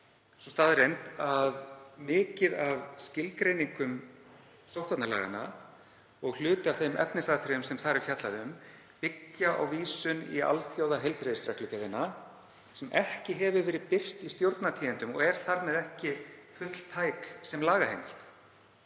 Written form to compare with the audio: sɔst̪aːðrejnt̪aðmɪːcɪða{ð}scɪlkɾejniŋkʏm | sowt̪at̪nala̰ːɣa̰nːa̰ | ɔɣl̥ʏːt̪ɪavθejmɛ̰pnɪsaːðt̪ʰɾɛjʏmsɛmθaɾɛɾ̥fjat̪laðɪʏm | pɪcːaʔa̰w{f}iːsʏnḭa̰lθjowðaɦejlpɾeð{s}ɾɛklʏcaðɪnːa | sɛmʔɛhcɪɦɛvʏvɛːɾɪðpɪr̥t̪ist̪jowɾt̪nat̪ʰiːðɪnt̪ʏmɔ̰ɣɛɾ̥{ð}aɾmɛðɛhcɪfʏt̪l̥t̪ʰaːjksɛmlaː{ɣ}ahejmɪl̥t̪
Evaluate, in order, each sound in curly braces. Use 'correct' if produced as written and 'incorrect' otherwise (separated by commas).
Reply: incorrect, incorrect, correct, incorrect, correct